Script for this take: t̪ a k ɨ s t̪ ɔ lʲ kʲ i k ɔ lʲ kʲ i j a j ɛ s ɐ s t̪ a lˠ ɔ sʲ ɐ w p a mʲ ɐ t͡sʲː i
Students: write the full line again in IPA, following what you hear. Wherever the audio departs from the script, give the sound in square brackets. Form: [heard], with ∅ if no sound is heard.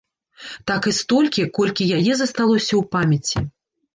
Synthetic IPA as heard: t̪ a k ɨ s t̪ ɔ lʲ kʲ i k ɔ lʲ kʲ i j a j ɛ [z] ɐ s t̪ a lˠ ɔ sʲ ɐ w p a mʲ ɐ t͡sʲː i